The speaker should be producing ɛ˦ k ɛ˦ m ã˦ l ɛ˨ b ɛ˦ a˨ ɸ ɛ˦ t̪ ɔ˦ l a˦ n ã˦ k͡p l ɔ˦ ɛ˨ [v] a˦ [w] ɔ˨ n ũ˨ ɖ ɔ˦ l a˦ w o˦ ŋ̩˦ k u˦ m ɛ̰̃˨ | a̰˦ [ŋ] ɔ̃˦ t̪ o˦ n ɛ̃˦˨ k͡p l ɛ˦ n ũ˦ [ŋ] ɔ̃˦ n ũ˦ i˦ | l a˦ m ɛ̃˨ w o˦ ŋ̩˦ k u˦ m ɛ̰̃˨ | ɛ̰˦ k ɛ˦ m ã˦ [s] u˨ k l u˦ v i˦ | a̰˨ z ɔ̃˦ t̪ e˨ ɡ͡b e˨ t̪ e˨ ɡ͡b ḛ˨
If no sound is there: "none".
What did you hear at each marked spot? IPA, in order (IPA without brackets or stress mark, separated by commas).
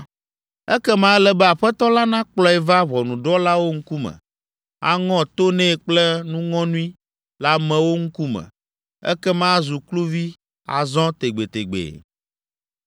v, β, ŋ, ŋ, z